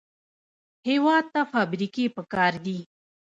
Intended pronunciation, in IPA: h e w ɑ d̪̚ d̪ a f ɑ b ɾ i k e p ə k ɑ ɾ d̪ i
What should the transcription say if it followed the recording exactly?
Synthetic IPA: h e w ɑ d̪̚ t̪ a f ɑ b ɾ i k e p ə k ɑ ɾ d̪ i